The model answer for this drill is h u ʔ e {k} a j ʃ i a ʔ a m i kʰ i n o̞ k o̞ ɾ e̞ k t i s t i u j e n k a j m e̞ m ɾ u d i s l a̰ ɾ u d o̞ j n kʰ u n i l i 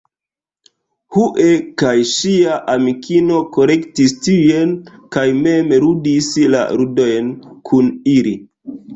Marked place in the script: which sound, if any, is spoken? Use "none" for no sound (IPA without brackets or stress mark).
k